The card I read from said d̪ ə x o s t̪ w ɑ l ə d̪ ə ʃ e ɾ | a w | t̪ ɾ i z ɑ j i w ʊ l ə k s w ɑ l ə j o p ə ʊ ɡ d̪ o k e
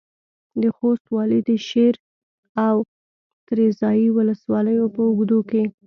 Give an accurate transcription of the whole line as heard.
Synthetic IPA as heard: d̪ ə x o s t̪ w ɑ l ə d̪ ə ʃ e ɾ | a w | t̪ ɾ e z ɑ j i w ʊ l ə s w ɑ l ə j o p ə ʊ ɡ d̪ o k e